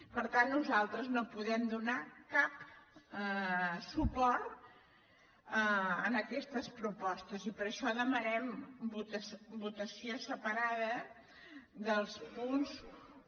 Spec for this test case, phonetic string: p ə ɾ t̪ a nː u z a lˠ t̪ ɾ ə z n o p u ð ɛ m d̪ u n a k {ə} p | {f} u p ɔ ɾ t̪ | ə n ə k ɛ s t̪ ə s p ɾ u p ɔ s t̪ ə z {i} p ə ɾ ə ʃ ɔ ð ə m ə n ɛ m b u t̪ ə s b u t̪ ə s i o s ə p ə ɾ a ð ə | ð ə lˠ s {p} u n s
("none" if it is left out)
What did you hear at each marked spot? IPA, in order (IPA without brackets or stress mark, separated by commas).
a, s, i, p